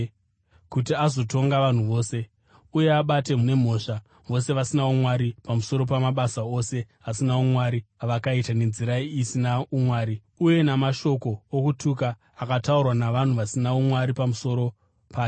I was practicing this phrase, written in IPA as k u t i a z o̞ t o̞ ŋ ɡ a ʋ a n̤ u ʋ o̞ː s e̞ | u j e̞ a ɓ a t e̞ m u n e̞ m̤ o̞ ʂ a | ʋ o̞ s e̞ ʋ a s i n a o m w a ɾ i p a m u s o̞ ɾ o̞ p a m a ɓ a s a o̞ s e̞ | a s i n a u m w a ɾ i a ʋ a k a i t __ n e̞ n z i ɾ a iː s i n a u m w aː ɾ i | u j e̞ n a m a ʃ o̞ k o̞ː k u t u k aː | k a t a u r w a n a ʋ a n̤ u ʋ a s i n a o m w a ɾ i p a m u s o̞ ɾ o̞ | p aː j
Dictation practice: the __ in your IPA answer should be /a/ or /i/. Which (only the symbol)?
a